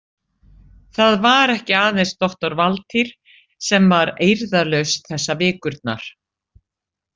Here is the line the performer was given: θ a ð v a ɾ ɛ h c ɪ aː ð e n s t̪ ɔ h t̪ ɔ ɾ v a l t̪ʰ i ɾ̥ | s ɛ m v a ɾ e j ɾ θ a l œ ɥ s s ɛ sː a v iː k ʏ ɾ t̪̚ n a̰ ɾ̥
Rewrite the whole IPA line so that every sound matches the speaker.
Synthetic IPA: θ a ð v a ɾ ɛ h c ɪ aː ð e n s t̪ ɔ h t̪ ɔ ɾ v a l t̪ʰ i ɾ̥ | s ɛ m v a ɾ e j ɾ ð a l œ ɥ s θ ɛ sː a v ɪː k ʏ ɾ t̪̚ n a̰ ɾ̥